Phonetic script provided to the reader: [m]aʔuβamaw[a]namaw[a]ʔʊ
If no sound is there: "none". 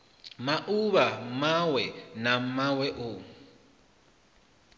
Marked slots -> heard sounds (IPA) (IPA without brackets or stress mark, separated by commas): m, ɛ, ɛ